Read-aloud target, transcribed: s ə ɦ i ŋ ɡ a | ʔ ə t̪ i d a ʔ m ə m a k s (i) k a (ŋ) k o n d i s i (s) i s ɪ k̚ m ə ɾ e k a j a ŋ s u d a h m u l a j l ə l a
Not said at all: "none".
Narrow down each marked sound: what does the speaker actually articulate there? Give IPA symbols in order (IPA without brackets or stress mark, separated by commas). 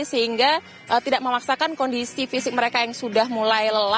a, n, f